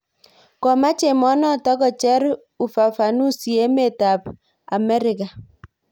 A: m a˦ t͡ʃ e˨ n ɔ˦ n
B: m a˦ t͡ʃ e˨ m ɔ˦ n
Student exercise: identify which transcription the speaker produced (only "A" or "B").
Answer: B